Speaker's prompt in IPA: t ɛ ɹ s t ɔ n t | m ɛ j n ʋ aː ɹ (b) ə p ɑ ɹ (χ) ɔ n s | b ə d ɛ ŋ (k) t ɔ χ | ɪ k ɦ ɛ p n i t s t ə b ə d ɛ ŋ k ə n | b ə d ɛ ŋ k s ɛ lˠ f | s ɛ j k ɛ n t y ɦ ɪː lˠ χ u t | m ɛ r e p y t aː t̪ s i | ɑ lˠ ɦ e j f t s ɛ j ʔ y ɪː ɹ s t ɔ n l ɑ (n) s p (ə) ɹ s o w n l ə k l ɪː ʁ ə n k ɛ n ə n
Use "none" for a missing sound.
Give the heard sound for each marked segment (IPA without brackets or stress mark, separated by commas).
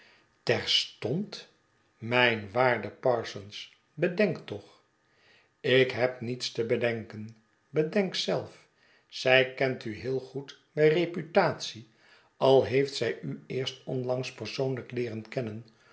d, s, k, ŋ, ə